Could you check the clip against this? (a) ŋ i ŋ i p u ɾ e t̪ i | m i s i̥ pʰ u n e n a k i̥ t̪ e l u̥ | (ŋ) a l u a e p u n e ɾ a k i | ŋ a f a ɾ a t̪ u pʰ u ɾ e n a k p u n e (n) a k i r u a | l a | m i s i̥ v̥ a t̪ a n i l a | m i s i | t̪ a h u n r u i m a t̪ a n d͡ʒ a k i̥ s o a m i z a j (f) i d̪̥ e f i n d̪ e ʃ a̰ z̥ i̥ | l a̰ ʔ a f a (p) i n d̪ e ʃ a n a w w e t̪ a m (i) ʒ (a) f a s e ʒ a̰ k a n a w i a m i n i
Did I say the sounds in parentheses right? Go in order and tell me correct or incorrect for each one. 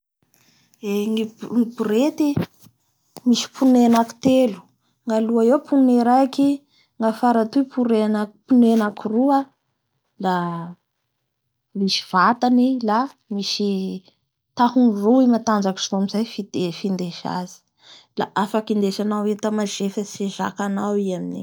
incorrect: e, correct, correct, correct, incorrect: k, incorrect: a, incorrect: e

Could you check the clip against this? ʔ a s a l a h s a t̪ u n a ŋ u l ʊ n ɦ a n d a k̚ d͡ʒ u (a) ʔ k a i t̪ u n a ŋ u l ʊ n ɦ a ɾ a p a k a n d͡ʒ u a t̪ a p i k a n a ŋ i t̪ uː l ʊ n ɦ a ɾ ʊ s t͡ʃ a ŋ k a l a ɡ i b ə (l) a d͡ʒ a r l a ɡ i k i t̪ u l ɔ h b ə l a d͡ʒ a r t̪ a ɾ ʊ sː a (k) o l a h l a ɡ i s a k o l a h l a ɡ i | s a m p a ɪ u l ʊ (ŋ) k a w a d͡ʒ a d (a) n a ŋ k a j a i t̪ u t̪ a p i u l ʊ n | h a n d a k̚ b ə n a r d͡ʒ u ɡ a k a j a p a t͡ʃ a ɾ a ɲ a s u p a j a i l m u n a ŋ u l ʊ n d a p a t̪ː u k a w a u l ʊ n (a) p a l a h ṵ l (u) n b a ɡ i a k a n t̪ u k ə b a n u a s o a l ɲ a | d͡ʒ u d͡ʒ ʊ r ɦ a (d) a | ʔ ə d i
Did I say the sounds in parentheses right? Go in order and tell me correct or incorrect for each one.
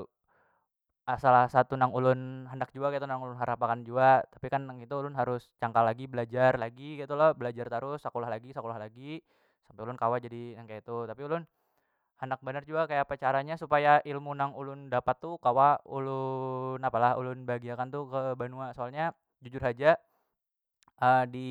correct, correct, correct, incorrect: n, incorrect: i, correct, incorrect: ʊ, incorrect: d͡ʒ

